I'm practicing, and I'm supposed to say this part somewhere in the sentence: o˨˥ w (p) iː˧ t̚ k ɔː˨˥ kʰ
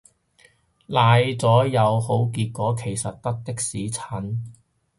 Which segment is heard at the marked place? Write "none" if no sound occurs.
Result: k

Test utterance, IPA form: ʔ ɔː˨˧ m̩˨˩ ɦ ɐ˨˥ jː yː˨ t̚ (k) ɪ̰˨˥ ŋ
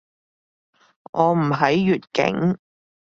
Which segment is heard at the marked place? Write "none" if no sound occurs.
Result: k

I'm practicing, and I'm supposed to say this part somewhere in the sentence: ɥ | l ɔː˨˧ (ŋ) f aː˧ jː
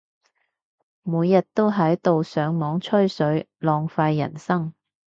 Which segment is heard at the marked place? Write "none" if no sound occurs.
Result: ŋ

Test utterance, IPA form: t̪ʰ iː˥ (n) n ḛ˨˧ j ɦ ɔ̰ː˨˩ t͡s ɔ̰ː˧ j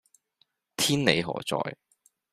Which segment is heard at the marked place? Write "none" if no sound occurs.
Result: n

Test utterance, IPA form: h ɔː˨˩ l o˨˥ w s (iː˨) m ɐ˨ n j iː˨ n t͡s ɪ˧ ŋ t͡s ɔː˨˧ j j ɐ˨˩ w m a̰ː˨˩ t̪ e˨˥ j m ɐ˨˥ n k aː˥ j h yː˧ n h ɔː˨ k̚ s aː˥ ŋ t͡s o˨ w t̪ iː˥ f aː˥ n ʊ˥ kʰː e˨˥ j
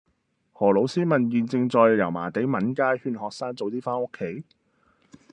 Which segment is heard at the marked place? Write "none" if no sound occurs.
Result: iː˥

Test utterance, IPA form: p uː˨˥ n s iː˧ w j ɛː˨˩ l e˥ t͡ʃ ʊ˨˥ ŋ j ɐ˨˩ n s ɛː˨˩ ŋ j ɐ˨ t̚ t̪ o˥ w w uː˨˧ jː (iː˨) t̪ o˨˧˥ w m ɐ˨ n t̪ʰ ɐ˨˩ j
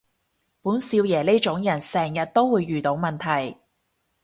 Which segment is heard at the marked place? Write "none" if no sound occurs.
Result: yː˨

